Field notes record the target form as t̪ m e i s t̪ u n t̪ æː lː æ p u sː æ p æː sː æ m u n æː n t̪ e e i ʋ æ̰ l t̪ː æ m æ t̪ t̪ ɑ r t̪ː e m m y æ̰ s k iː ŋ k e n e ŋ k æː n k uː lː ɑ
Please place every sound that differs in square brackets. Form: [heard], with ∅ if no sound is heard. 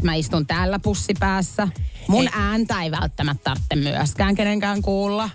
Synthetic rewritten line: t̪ m [æ] i s t̪ u n t̪ æː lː æ p u sː [i] p æː sː æ m u n æː n t̪ [æ] e i ʋ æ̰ l t̪ː æ m æ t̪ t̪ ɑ r t̪ː e m m y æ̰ s k [æː] ŋ k e n e ŋ k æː [ŋ] k uː lː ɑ